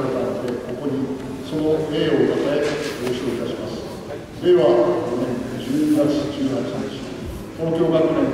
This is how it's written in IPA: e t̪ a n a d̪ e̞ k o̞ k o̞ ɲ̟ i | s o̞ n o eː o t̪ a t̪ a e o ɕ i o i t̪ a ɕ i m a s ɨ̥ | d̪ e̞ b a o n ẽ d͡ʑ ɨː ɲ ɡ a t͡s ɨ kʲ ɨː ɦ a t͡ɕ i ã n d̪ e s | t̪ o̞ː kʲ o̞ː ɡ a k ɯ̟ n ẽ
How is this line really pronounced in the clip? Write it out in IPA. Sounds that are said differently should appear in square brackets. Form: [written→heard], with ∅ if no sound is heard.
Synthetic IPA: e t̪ a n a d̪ e̞ k o̞ k o̞ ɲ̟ i | s o̞ n o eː o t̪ a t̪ a e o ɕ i o i t̪ a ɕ i m a s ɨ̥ | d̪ e̞ [b→β] a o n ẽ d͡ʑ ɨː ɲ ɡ a t͡s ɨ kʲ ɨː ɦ a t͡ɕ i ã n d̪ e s | t̪ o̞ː kʲ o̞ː ɡ a k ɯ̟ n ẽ